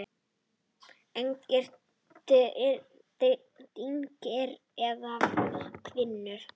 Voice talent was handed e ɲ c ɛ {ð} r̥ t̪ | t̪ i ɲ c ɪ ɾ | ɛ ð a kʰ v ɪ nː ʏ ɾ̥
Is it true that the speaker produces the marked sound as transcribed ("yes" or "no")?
no